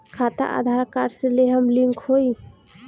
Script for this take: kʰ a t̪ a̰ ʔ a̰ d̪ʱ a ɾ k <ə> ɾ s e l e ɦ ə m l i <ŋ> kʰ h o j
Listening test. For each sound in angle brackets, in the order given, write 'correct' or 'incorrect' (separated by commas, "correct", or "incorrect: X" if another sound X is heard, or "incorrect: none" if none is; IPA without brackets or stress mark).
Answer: incorrect: a, correct